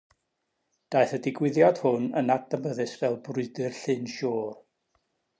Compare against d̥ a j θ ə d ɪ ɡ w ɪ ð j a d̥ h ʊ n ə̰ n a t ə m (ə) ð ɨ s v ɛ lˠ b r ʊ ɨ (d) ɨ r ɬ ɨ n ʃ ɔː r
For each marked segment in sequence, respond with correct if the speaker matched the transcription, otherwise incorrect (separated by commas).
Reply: correct, correct